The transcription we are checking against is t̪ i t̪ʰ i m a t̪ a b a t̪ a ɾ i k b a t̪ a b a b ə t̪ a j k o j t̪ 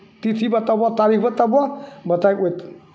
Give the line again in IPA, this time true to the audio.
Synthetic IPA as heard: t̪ i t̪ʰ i b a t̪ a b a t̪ a ɾ i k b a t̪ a b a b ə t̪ a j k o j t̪

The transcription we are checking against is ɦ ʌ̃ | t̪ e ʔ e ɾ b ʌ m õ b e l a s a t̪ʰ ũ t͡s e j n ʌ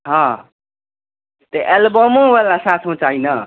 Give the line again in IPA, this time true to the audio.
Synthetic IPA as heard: ɦ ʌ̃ | t̪ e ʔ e l b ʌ m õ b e l a s a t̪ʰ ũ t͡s a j n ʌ

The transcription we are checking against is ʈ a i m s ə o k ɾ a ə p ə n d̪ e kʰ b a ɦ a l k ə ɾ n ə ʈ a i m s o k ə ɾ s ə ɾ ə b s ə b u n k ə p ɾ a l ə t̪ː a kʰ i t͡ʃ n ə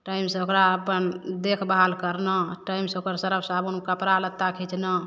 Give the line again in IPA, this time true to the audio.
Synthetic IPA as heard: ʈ a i m s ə o k ɾ a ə p ə n d̪ e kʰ b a ɦ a l k ə ɾ n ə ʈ a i m s o k ə ɾ s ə ɾ ə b s a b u n k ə p ɾ a l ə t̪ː a kʰ i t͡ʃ n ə

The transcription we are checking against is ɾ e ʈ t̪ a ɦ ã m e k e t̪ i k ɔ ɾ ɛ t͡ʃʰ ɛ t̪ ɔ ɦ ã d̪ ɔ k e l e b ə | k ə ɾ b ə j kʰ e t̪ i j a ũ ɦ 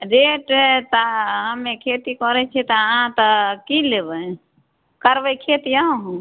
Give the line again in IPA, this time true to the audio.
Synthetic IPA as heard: ɾ e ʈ t̪ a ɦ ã m e kʰ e t̪ i k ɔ ɾ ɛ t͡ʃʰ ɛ t̪ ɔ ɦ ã t̪ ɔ k i l e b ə | k ə ɾ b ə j kʰ e t̪ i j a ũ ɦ

